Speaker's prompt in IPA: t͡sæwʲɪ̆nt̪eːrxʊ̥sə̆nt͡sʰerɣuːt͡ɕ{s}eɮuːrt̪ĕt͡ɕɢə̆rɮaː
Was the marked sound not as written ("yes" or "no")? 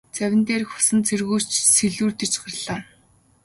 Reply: no